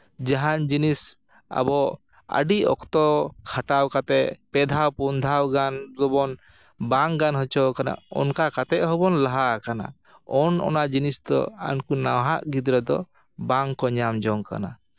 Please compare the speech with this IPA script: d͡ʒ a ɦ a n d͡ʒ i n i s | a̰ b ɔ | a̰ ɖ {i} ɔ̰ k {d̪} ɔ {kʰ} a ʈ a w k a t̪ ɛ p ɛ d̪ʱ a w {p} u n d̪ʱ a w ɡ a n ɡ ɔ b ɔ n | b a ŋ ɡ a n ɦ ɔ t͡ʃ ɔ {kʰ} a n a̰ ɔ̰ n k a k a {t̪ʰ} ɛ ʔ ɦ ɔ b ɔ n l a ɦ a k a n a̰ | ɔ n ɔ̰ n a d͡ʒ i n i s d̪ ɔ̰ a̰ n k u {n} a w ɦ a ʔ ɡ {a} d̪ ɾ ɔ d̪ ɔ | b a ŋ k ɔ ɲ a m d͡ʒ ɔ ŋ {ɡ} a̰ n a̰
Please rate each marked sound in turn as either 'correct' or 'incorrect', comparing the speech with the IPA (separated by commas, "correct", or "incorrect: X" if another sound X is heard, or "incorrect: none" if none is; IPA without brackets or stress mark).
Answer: correct, incorrect: t̪, correct, correct, incorrect: k, incorrect: t̪, correct, incorrect: i, incorrect: k